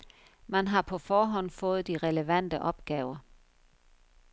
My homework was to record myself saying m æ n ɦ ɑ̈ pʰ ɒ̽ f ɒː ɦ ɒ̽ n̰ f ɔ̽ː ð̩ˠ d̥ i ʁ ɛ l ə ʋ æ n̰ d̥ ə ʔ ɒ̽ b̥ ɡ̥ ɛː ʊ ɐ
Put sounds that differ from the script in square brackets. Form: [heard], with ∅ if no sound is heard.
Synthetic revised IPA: m æ n ɦ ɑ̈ pʰ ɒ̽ f ɒː ɦ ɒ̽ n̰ f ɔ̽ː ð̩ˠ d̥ i ʁ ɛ l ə ʋ æ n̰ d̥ ə ʔ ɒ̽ b̥ ɡ̥ ɛː ʊ ɐ